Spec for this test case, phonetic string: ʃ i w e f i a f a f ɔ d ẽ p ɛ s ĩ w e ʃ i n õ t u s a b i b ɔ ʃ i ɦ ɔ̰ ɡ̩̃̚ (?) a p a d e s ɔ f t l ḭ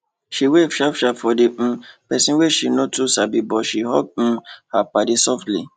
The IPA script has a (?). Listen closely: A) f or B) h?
B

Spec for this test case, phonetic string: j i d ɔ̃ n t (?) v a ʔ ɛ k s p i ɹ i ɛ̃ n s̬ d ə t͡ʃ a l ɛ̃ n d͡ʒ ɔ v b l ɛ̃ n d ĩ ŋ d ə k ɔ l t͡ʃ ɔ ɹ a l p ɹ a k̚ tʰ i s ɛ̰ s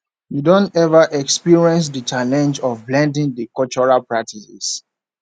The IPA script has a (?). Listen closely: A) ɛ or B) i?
A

